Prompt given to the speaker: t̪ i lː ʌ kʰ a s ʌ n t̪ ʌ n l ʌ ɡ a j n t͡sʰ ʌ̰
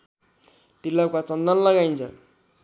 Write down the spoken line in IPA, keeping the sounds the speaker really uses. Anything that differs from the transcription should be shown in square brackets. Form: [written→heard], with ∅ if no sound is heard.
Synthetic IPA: t̪ i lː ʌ [kʰ→k] a [s→t͡s] ʌ n [t̪→d̪] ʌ n l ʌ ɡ a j n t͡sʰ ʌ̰